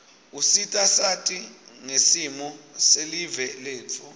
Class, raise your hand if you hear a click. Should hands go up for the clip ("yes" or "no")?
no